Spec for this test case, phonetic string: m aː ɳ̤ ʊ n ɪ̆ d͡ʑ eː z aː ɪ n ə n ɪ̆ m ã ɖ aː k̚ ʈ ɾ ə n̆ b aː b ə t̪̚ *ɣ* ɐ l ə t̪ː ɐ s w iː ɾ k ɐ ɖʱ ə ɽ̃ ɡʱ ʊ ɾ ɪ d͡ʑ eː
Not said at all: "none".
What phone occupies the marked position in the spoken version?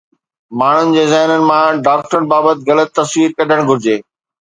ɣ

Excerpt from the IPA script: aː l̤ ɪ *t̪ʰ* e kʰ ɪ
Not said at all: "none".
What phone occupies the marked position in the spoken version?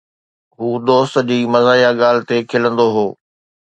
t̪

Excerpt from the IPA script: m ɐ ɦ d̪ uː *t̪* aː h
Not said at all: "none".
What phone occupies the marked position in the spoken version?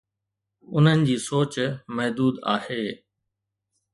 d̪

